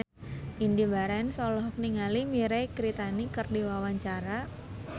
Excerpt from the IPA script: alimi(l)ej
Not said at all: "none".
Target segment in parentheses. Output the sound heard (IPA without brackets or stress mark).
ɾ